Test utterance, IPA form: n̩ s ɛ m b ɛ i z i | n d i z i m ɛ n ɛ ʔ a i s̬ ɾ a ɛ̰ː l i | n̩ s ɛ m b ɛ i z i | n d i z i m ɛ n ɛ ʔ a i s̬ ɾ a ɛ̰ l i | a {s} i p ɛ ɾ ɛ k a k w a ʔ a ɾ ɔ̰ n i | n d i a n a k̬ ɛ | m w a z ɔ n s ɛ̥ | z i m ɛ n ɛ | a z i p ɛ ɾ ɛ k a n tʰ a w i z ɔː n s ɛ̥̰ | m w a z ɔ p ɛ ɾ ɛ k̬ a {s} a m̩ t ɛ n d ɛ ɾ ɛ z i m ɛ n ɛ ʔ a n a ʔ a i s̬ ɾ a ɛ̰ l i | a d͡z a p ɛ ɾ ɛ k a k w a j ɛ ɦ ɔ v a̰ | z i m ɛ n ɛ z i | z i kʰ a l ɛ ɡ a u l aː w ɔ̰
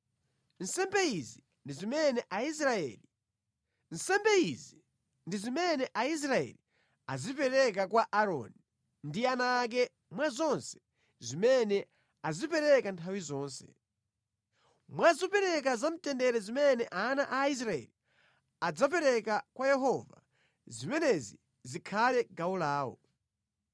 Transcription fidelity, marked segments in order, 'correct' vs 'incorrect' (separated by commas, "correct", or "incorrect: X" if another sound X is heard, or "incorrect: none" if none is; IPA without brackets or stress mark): incorrect: z, incorrect: z